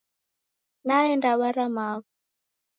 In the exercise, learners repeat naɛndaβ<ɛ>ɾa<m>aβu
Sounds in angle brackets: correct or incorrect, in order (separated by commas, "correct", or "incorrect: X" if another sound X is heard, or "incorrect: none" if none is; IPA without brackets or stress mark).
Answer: incorrect: a, correct